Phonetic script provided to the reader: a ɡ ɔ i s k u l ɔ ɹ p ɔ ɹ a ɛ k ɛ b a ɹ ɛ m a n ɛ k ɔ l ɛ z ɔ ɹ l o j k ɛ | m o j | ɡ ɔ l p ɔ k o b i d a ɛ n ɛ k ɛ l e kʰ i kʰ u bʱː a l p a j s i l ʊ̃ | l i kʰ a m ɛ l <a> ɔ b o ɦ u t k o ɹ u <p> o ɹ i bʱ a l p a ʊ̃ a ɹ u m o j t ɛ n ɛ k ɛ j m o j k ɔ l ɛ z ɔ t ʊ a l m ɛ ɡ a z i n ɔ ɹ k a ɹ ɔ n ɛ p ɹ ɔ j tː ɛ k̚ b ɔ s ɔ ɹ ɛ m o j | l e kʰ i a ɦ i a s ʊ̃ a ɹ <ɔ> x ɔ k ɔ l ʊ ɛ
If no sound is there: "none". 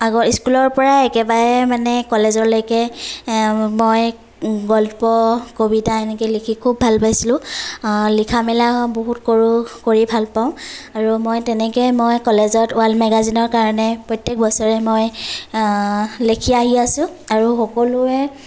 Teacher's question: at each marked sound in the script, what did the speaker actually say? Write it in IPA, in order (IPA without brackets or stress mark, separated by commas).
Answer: a, k, u